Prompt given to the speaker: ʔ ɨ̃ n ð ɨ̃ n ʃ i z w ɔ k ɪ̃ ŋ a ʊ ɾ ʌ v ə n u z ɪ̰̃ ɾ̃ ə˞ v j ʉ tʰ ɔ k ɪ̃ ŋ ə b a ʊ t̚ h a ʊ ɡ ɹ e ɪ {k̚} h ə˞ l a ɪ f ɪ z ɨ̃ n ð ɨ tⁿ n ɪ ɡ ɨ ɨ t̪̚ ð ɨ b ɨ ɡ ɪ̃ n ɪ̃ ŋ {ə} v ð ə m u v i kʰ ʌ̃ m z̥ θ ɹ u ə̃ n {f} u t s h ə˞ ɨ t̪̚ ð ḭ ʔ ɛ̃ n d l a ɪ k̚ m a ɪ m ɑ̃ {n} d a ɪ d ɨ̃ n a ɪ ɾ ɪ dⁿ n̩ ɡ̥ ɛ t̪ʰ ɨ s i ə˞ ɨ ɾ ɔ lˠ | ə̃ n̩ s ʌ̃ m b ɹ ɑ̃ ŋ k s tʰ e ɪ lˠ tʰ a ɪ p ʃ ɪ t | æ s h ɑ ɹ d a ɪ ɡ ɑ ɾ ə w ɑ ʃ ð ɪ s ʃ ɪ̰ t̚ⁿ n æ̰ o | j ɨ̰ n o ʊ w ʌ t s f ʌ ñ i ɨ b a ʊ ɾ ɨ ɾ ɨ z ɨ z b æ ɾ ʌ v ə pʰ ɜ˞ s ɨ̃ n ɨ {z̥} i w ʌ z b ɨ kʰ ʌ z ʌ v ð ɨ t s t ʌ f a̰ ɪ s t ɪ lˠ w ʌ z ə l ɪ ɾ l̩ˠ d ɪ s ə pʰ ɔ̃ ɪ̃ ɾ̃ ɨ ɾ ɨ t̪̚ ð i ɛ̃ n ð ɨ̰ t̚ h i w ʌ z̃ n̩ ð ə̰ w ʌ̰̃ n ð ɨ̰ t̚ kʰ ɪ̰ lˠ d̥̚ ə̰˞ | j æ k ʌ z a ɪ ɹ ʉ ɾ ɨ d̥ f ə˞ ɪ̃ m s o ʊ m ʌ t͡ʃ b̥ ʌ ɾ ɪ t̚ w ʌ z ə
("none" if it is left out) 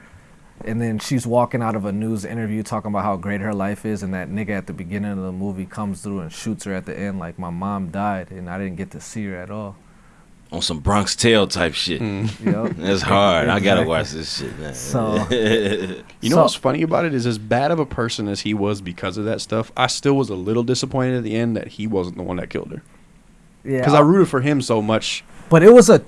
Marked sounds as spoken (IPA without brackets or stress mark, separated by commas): t̚, ʌ, ʃ, m, z̥